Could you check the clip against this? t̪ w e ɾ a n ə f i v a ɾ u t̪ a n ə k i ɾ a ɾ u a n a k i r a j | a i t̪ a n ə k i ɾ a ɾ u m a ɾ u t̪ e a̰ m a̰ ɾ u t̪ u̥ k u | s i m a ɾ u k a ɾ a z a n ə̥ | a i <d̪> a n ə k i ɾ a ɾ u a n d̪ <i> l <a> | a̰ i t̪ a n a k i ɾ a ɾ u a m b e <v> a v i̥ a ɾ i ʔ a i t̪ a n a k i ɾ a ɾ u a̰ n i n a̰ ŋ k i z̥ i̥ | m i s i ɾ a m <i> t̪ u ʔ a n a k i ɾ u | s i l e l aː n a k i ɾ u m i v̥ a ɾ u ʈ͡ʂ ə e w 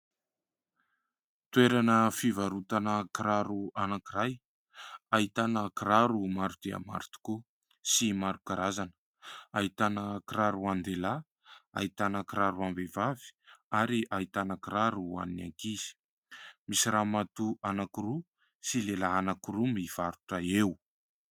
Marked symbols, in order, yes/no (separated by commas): no, no, yes, yes, no